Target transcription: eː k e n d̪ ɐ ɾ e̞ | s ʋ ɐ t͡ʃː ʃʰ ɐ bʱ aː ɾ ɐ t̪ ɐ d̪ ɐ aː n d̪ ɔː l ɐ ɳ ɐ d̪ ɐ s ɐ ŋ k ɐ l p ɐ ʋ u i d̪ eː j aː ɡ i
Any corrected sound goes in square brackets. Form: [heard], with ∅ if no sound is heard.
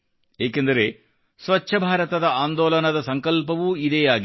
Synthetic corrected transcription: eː k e n d̪ ɐ ɾ e̞ | s ʋ ɐ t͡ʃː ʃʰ ɐ bʱ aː ɾ ɐ t̪ ɐ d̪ ɐ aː n d̪ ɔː l ɐ [n] ɐ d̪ ɐ s ɐ ŋ k ɐ l p ɐ ʋ u i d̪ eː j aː ɡ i